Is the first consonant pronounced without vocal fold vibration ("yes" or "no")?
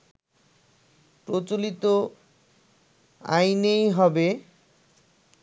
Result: yes